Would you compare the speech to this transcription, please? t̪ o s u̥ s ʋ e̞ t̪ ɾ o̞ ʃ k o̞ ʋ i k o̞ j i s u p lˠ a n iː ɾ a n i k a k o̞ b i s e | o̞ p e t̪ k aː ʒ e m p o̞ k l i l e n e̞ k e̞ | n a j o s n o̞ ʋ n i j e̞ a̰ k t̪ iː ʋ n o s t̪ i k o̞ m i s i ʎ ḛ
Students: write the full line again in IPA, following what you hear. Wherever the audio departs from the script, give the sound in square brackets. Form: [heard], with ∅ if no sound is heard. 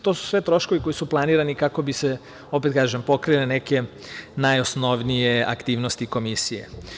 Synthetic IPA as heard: t̪ o s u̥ s ʋ e̞ t̪ ɾ o̞ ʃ k o̞ ʋ i k o̞ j i s u p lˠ a n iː ɾ a n i k a k o̞ b i s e | o̞ p e t̪ k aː ʒ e m p o̞ k [ɾ] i l e n e̞ k e̞ | n a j o s n o̞ ʋ n i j e̞ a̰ k t̪ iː ʋ n o s t̪ i k o̞ m i s i [j] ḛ